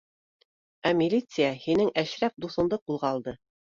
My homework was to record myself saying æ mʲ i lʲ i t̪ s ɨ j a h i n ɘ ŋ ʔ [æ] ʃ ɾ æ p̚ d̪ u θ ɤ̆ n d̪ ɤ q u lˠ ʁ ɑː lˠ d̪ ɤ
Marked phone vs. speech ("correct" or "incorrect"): correct